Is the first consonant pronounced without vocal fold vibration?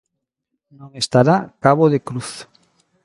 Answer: no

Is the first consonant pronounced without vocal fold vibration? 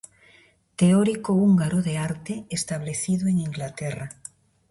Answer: yes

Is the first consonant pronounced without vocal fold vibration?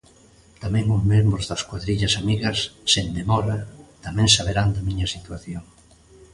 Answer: yes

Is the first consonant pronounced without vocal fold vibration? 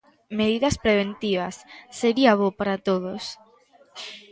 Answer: no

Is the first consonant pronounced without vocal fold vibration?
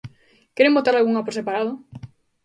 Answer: yes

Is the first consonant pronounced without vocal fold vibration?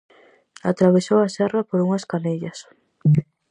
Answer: yes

